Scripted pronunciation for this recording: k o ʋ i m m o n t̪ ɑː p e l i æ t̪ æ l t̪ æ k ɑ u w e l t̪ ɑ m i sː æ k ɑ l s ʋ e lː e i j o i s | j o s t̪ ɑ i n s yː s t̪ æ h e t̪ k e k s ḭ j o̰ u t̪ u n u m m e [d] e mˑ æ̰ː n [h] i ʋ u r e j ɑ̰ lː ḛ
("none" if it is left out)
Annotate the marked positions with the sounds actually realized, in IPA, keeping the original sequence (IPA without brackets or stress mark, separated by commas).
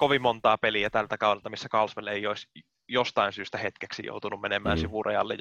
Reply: n, s